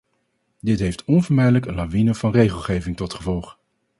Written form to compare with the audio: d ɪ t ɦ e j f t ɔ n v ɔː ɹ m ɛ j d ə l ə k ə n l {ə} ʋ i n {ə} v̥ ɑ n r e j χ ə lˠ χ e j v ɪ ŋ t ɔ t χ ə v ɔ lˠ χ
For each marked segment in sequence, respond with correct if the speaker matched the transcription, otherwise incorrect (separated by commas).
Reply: incorrect, correct